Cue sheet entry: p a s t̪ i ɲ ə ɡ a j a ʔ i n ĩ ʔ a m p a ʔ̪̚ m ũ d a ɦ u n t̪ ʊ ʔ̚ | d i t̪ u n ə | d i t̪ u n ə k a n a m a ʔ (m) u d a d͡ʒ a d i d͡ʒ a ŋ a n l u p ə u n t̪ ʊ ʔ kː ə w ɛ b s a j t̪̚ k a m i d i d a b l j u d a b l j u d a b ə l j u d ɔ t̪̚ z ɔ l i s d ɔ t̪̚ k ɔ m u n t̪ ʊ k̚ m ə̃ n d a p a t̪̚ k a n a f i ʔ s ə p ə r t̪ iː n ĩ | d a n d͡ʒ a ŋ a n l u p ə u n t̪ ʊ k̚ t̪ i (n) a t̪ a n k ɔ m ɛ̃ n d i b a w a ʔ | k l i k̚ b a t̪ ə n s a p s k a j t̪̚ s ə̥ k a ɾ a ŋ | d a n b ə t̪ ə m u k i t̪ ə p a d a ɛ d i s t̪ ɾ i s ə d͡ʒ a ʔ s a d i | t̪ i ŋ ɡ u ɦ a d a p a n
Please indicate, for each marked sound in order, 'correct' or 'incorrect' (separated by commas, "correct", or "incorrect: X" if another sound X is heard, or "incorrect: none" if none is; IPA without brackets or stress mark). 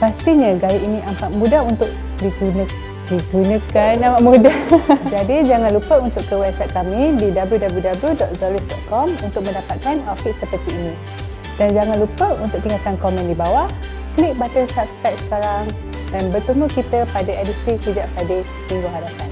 correct, incorrect: ŋ